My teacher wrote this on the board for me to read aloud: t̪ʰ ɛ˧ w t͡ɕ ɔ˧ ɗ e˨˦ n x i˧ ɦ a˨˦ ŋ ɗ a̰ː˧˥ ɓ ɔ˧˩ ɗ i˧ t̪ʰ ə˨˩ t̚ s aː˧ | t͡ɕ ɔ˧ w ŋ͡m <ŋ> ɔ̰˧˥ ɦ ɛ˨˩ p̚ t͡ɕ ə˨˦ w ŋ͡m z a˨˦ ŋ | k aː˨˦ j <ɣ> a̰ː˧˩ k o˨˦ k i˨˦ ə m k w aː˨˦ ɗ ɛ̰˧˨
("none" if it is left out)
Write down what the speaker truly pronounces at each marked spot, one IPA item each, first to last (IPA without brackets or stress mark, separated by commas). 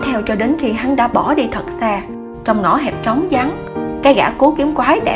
ŋ, ɣ